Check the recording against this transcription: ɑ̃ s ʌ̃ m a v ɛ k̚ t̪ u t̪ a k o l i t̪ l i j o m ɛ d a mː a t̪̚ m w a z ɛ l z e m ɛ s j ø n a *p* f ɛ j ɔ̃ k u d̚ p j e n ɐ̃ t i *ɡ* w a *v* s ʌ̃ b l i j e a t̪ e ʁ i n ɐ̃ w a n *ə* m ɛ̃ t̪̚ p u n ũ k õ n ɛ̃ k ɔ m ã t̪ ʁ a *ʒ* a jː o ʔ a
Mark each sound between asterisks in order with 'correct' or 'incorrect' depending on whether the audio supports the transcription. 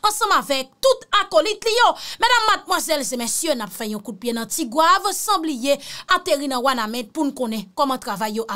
correct, correct, correct, incorrect: a, incorrect: v

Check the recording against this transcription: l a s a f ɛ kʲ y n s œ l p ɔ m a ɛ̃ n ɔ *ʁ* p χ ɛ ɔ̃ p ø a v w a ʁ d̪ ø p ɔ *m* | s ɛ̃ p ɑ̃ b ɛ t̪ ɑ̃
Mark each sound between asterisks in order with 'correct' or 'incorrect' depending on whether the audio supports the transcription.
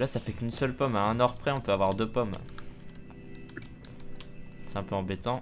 correct, correct

